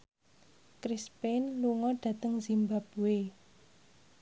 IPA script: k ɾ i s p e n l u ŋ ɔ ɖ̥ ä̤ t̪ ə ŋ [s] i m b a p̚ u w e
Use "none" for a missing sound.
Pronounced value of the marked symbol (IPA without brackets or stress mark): z